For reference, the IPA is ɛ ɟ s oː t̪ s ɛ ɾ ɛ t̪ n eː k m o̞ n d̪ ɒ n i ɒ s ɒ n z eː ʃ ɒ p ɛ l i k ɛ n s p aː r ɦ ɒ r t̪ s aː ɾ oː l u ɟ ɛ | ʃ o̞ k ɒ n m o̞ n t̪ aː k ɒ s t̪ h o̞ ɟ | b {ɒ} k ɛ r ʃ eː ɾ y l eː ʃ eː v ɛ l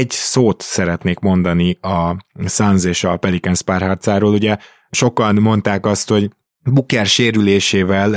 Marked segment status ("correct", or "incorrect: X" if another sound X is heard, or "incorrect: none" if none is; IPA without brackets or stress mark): incorrect: u